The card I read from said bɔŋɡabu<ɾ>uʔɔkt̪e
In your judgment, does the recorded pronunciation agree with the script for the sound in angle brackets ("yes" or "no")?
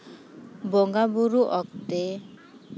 yes